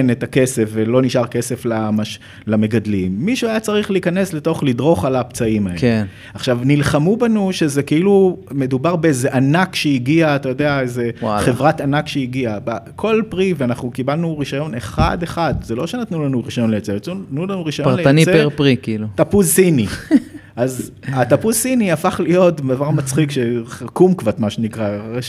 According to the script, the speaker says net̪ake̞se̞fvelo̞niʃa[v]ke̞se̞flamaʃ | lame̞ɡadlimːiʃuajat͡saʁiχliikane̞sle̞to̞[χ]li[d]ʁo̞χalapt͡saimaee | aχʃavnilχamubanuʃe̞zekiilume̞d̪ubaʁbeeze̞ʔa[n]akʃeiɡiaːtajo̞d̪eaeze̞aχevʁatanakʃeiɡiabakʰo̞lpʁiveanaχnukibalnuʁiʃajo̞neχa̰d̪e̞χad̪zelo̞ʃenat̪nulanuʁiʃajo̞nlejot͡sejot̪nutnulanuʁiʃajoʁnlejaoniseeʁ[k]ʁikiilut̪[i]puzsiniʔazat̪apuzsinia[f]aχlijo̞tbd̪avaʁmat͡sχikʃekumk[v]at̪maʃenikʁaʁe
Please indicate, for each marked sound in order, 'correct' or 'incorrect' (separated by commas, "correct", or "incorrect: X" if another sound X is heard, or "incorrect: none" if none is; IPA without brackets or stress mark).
incorrect: ʁ, correct, correct, correct, incorrect: p, incorrect: a, correct, correct